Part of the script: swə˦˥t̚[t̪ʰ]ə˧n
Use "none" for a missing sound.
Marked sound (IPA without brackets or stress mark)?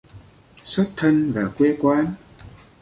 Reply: t̪ʰ